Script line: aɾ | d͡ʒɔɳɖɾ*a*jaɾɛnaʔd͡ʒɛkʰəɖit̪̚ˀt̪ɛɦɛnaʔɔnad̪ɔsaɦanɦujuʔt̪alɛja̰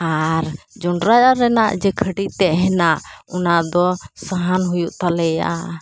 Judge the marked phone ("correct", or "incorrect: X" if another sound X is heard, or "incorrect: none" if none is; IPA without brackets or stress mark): correct